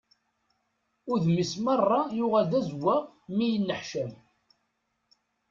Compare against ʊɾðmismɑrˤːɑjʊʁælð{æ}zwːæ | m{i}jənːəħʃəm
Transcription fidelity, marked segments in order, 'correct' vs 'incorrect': correct, correct

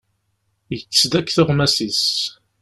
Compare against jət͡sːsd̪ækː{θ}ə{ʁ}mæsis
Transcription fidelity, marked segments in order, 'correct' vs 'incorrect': correct, correct

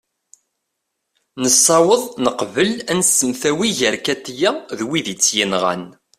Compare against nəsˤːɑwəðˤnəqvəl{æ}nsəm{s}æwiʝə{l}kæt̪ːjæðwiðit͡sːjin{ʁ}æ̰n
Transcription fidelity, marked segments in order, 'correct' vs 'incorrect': correct, incorrect, incorrect, correct

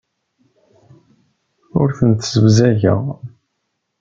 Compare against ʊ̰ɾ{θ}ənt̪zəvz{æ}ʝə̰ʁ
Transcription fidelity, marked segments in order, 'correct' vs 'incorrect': correct, correct

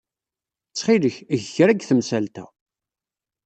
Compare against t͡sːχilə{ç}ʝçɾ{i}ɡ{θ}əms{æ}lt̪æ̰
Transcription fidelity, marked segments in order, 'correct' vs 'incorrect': correct, incorrect, correct, correct

